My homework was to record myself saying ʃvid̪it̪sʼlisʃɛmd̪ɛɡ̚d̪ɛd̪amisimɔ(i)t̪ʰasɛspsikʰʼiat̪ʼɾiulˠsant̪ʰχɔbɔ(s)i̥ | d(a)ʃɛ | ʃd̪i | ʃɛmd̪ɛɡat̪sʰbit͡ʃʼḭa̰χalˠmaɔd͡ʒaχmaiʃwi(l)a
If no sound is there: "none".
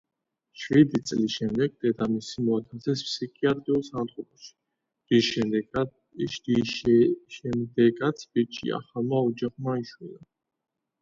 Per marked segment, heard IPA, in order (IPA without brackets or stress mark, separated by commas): a, ʃ, i, l